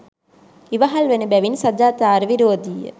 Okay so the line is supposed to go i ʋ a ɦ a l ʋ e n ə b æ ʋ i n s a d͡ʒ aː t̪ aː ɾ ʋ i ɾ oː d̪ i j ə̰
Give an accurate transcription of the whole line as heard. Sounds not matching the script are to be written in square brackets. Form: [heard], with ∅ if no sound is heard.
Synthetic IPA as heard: i ʋ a ɦ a l ʋ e n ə b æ ʋ i n s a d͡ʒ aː t̪ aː ɾ ʋ i ɾ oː d̪ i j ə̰